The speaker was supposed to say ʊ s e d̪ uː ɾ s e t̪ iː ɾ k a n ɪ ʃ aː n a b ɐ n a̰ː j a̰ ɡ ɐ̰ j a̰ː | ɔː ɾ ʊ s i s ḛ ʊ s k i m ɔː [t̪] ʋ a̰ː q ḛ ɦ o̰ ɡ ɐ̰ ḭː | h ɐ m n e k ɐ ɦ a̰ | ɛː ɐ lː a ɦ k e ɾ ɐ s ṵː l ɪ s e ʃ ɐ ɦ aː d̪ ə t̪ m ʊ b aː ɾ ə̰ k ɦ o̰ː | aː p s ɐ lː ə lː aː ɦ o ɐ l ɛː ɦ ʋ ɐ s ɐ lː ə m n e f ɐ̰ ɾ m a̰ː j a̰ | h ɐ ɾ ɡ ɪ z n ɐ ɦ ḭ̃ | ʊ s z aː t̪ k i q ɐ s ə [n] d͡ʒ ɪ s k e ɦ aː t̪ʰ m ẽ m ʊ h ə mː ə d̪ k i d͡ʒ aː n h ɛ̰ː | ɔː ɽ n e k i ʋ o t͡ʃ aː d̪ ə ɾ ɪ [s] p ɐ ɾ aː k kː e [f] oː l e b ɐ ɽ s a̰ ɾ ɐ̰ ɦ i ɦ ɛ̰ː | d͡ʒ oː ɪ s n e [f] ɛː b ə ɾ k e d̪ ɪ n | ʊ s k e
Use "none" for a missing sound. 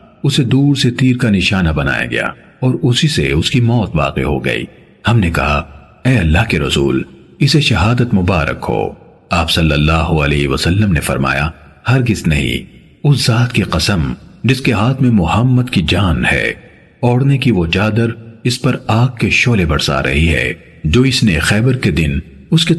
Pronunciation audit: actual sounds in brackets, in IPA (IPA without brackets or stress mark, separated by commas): t̪, m, s, ʃ, x